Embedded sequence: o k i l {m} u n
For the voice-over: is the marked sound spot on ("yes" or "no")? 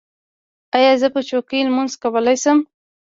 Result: yes